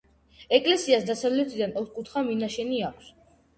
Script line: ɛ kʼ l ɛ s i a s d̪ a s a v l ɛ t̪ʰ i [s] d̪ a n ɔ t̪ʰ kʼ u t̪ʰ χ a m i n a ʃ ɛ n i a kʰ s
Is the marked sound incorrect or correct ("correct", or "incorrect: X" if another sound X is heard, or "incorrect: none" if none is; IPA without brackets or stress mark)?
incorrect: none